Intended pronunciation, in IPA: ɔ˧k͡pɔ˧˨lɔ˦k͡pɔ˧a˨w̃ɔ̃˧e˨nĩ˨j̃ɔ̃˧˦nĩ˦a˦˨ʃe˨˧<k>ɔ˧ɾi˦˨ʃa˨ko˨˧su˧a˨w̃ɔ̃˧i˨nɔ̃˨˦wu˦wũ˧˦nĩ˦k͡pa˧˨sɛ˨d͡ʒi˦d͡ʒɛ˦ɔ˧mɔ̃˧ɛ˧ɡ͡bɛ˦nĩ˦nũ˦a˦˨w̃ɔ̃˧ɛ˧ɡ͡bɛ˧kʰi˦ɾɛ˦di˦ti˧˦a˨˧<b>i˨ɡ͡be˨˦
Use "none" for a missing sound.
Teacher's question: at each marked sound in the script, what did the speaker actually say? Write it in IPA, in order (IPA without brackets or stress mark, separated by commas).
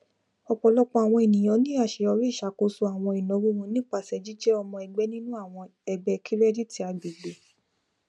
none, b